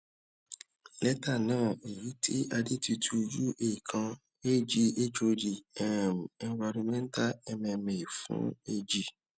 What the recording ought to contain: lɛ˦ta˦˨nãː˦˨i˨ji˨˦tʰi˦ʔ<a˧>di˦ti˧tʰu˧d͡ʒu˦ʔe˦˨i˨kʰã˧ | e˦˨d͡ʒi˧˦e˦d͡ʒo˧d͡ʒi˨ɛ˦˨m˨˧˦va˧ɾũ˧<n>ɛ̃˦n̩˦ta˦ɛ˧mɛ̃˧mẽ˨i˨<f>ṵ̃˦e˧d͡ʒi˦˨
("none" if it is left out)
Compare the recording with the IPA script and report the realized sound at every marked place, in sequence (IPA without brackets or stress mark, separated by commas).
a˧, m, f